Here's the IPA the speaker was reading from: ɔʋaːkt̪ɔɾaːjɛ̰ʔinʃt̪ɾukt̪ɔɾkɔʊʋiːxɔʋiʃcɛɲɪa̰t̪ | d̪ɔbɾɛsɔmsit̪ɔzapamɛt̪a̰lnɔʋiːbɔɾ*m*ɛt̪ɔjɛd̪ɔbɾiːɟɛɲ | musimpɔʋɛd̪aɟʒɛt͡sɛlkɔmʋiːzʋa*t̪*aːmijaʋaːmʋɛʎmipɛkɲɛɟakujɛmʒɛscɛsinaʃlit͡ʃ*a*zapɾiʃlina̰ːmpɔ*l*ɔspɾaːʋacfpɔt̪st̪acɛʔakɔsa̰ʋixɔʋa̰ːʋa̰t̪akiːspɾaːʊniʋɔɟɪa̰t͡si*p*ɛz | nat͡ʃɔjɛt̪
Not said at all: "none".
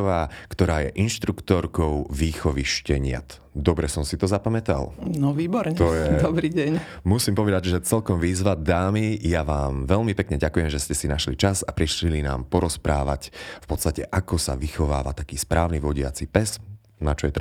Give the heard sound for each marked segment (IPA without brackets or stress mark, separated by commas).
ɲ, d̪, a, ɾ, p